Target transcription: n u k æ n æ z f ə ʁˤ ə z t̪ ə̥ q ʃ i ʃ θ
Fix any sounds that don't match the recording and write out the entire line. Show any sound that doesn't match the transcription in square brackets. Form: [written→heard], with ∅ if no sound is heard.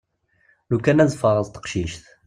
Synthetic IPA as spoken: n u k æ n æ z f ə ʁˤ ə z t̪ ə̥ q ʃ i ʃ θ